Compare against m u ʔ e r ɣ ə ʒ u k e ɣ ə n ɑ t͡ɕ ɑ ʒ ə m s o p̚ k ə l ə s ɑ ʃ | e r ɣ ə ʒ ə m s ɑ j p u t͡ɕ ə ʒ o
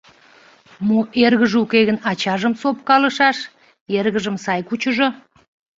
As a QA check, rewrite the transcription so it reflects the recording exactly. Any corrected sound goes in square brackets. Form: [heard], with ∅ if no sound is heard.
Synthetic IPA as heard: m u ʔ e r ɣ ə ʒ u k e ɣ ə n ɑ t͡ɕ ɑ ʒ ə m s o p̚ k [ɑ] l ə [ʃ] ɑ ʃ | e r ɣ ə ʒ ə m s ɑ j [k] u t͡ɕ ə ʒ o